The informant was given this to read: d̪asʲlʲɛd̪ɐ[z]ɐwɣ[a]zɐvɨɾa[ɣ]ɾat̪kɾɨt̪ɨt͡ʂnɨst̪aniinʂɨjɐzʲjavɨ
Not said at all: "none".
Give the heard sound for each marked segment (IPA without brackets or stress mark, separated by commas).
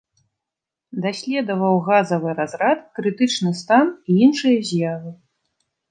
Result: v, a, z